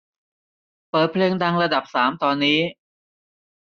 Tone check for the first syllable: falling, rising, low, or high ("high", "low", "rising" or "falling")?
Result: low